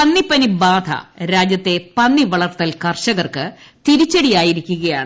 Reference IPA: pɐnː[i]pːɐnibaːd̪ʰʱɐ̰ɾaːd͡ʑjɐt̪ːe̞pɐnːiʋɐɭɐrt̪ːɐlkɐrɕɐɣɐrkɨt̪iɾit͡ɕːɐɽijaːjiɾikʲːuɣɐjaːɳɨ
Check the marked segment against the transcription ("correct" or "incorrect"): correct